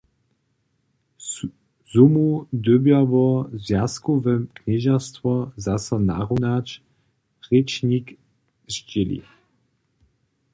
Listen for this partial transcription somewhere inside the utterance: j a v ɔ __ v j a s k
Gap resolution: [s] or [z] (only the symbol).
z